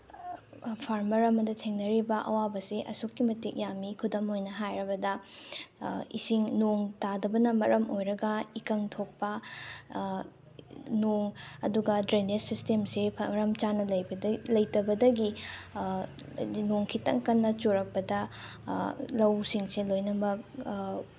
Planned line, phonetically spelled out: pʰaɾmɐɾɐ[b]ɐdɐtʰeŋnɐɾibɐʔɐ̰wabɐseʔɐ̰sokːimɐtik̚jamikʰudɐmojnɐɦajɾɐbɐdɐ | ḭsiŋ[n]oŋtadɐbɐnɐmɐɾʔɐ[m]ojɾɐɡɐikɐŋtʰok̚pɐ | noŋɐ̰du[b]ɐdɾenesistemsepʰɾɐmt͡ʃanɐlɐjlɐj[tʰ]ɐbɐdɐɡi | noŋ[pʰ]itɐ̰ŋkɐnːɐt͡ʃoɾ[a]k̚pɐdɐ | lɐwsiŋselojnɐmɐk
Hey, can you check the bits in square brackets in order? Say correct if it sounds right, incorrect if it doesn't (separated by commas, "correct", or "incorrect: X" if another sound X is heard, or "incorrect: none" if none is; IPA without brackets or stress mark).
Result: incorrect: m, correct, correct, incorrect: ɡ, incorrect: t, incorrect: kʰ, incorrect: ɐ